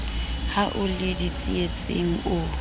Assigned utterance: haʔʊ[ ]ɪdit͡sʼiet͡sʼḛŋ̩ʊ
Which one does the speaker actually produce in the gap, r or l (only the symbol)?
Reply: l